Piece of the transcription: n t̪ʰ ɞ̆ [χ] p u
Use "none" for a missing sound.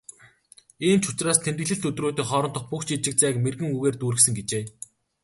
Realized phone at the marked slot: χ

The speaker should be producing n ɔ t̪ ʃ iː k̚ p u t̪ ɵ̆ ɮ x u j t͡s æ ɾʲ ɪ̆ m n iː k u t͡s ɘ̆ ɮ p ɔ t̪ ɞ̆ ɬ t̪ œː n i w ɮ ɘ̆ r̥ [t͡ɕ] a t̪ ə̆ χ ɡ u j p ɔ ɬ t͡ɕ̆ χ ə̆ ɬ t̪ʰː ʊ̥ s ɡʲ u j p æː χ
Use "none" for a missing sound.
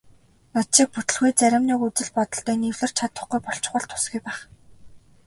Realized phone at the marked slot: t͡ɕʰ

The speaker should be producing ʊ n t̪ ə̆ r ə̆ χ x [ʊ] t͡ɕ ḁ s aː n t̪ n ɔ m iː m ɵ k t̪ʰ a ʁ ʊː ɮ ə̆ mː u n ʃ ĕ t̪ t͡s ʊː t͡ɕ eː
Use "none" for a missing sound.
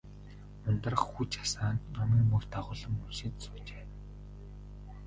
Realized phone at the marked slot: u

